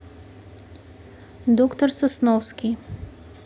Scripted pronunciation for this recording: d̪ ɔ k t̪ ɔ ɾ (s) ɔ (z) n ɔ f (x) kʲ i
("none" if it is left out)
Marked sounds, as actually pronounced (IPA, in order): s, s, s

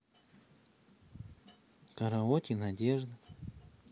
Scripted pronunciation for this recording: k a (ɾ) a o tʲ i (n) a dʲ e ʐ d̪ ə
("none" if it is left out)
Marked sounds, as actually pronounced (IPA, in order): ɾ, n

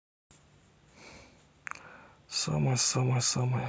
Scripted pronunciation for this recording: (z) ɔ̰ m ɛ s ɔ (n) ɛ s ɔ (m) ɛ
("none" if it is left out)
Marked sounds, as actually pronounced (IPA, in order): s, m, m

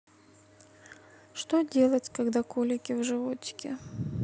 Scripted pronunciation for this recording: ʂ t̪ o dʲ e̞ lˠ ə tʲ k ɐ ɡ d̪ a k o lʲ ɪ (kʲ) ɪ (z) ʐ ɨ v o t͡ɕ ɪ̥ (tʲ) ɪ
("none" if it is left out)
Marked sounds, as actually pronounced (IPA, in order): kʲ, v, kʲ

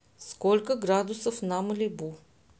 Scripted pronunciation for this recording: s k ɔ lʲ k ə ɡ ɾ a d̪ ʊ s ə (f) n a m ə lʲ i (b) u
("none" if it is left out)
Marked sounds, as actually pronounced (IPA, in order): f, b

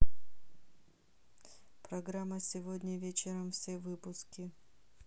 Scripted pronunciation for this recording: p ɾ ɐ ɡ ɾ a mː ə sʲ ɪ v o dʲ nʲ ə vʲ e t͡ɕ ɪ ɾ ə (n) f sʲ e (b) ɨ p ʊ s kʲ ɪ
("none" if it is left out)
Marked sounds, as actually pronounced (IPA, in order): m, v

